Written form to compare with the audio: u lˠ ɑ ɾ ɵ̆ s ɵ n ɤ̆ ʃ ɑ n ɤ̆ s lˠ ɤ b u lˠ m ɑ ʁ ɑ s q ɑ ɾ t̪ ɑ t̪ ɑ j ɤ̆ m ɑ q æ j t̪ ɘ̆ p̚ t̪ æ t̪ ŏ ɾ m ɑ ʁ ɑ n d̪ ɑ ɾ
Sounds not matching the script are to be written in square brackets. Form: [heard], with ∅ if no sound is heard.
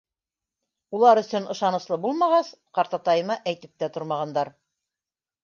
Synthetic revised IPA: u lˠ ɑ ɾ ɵ̆ s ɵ n ɤ̆ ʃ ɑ n ɤ̆ s lˠ ɤ b u lˠ m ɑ ʁ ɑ s q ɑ ɾ t̪ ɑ t̪ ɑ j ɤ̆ m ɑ [ʔ] æ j t̪ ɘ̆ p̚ t̪ æ t̪ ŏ ɾ m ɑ ʁ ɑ n d̪ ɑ ɾ